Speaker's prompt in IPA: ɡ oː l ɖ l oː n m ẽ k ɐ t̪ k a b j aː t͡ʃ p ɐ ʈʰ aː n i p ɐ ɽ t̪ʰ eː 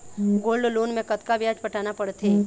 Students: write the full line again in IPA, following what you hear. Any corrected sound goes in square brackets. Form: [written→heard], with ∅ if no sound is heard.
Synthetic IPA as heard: ɡ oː l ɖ l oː n m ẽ k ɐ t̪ k a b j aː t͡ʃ p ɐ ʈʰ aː n [i→a] p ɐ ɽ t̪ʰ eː